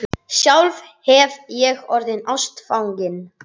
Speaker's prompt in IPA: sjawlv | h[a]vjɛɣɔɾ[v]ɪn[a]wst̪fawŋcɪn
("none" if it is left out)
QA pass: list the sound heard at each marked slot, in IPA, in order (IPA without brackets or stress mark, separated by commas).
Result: ɛ, ð, a